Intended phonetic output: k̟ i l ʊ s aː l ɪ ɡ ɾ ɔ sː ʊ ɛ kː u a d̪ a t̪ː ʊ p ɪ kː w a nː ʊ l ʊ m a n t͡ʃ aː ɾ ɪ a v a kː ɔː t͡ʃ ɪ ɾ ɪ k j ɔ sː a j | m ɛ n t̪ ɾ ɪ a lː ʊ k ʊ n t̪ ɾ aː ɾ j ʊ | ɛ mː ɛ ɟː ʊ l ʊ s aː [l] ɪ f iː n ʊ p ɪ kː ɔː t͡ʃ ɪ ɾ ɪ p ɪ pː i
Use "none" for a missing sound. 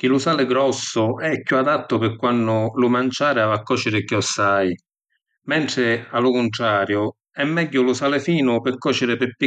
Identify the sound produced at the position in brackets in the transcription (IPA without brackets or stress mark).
l